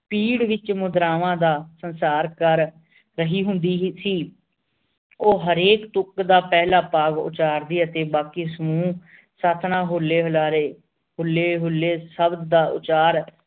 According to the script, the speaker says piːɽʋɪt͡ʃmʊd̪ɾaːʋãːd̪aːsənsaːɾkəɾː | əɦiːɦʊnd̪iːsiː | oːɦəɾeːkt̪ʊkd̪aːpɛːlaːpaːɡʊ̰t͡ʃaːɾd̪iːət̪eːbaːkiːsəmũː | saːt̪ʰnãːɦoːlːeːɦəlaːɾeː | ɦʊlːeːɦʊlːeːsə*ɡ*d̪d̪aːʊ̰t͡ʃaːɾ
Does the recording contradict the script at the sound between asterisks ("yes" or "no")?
yes